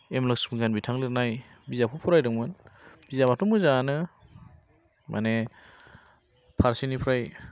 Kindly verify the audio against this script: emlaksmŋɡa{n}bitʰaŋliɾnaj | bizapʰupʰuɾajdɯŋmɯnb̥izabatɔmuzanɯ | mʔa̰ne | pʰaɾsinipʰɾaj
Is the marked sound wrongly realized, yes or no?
no